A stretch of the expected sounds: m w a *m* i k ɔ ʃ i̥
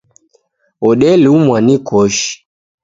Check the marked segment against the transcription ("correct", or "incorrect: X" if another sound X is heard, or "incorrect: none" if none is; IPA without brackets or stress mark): incorrect: n